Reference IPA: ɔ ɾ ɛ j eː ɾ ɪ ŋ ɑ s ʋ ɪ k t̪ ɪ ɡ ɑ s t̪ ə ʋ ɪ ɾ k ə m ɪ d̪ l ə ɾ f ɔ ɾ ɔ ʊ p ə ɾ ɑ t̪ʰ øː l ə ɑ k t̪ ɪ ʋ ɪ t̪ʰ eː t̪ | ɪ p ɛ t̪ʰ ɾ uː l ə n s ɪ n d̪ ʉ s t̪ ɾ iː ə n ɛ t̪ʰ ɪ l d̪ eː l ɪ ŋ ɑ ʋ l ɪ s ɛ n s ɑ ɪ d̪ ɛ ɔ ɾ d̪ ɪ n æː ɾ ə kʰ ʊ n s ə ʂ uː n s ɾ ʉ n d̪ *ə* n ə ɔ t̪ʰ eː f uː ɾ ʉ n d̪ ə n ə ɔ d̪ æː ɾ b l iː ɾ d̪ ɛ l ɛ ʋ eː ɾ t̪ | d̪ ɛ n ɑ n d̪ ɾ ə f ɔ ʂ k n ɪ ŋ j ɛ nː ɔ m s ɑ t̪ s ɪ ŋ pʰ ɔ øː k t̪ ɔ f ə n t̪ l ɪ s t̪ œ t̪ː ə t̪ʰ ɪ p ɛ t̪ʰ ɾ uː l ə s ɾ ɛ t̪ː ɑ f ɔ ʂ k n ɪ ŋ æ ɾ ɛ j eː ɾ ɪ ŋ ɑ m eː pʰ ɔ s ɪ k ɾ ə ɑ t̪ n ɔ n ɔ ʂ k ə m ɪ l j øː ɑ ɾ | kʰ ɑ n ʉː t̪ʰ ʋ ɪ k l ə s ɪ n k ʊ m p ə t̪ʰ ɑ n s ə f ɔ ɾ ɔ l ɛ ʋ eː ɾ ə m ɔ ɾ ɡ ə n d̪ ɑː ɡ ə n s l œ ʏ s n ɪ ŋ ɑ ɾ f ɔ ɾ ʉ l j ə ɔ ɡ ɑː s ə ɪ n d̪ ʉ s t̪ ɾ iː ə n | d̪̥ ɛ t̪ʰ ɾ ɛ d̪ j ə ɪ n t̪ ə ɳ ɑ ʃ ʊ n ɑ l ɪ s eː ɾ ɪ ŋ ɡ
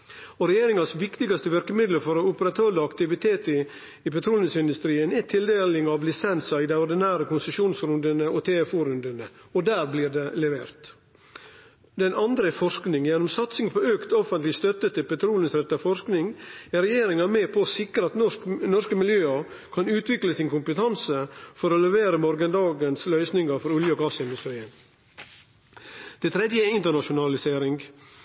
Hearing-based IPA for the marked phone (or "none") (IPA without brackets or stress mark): ə